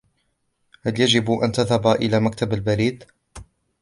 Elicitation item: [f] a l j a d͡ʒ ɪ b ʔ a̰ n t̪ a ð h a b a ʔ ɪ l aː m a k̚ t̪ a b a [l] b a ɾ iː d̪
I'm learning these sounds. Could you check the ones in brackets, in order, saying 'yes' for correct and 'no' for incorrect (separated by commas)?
no, yes